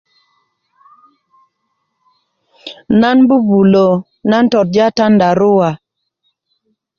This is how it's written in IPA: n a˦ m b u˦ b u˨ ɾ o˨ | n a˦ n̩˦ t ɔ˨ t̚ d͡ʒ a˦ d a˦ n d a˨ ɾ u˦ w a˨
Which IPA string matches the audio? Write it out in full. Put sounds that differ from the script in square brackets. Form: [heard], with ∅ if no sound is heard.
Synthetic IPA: n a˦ [n] b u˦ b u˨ [l] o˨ | n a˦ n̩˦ t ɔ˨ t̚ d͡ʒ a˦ [t] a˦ n d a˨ ɾ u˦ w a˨